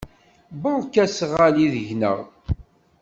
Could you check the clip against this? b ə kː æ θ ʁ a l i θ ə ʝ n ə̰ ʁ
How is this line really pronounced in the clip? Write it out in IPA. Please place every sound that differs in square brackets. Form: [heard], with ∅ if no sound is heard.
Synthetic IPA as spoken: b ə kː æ [s] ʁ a l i [ð] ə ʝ n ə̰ ʁ